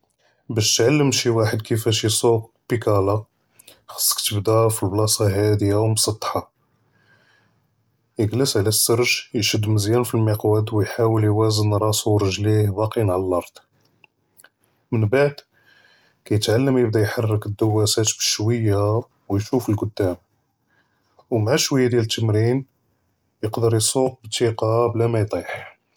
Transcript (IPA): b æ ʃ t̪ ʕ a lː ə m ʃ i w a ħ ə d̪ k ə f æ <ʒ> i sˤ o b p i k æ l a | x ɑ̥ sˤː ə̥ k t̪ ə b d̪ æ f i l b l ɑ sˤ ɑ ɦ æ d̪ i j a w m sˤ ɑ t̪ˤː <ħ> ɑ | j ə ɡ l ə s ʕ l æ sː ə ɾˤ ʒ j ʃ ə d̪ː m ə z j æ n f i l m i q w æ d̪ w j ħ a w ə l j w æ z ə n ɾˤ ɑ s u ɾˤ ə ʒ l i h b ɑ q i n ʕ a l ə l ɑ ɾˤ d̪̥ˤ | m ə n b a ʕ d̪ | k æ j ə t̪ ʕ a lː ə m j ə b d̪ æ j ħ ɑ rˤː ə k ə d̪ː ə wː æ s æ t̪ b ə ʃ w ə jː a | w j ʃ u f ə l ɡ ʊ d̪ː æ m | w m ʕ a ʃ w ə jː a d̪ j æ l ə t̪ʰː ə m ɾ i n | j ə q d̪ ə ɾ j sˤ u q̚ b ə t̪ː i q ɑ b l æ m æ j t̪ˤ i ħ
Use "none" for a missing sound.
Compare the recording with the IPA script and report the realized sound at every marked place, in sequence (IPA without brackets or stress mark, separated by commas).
ʃ, ħ